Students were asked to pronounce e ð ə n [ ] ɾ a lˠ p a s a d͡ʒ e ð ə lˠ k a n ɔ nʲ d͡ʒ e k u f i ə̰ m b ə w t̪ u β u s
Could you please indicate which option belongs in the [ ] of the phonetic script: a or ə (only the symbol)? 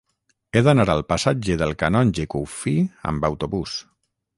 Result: a